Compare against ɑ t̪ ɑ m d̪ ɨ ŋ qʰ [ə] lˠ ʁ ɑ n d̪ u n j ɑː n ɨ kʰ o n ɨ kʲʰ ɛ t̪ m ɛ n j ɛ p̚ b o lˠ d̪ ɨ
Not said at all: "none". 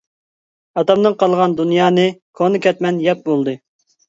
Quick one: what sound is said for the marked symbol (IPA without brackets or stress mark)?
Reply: ɑ